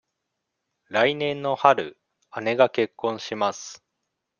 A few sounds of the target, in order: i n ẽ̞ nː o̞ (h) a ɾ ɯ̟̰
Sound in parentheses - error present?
no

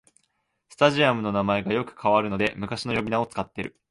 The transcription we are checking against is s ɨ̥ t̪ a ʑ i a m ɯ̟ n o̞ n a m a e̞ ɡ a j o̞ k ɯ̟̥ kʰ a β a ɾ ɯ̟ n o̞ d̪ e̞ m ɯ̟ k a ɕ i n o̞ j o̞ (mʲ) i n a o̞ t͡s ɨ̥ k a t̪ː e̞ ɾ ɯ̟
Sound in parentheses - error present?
yes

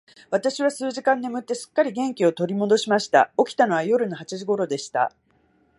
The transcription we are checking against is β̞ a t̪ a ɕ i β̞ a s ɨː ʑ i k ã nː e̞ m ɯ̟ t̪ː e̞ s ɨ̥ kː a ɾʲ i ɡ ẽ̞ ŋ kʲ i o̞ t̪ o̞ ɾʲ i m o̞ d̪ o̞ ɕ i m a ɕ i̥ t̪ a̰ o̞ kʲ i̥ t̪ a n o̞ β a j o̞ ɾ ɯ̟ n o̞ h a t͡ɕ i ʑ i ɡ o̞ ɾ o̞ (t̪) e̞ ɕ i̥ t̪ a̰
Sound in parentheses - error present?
yes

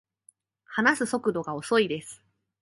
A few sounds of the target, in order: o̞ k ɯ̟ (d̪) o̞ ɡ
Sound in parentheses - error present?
no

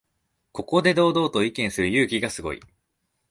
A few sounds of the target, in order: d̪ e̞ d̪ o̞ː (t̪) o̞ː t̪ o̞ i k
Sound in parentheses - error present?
yes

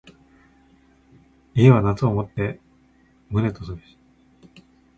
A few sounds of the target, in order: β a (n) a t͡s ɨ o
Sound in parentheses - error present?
no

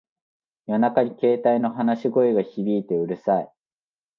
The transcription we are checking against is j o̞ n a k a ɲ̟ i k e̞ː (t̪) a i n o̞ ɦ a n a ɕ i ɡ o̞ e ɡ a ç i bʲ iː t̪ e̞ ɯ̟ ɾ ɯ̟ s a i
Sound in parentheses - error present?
no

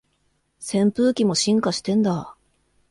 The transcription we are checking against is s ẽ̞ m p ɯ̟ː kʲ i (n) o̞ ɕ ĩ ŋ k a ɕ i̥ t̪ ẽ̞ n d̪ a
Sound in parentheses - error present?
yes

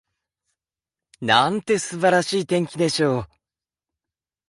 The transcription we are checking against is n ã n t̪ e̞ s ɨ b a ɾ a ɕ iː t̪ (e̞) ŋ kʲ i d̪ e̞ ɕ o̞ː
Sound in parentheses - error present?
yes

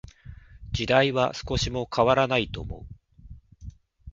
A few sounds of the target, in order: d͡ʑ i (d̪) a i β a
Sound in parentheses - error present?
no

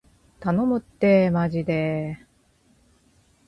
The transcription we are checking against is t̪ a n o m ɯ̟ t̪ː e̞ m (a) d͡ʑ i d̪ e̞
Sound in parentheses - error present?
no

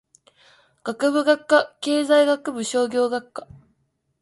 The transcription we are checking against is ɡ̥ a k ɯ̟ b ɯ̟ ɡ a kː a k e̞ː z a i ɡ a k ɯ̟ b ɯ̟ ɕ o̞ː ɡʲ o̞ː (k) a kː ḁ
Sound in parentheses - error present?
yes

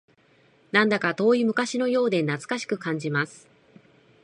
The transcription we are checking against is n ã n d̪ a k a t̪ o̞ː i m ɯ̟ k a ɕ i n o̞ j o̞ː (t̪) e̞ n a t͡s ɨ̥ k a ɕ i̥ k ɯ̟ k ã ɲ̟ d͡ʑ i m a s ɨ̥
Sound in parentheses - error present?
yes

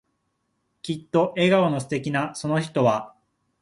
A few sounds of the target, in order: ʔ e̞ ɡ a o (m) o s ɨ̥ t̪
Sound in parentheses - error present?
yes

